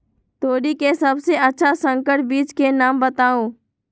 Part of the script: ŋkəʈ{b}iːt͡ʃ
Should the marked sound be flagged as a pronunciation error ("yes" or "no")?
no